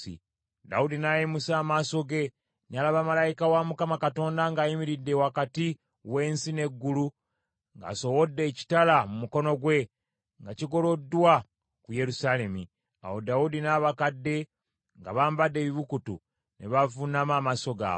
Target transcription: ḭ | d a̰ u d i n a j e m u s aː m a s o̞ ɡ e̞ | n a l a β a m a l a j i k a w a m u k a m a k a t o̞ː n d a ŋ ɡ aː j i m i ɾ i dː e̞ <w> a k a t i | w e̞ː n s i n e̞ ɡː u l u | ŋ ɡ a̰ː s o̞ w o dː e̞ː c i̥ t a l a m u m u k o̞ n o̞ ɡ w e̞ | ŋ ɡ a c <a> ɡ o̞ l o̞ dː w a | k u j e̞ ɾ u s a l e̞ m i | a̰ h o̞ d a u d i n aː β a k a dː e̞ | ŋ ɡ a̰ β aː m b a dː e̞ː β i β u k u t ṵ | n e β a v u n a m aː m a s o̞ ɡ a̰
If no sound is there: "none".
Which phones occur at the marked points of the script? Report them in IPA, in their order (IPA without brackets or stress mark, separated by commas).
w, i